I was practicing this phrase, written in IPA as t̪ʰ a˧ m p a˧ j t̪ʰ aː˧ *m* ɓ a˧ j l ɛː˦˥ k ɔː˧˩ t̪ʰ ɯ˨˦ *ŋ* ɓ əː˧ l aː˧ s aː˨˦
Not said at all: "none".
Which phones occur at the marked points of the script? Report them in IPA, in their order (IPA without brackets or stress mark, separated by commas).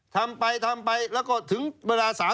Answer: m, ŋ